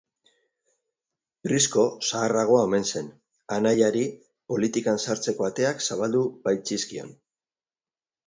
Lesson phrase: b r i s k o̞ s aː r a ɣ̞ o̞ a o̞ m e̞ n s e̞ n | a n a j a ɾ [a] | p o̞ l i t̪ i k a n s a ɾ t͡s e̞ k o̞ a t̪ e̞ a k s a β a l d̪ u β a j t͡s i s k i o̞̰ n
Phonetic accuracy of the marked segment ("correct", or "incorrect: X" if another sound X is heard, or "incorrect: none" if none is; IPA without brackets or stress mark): incorrect: i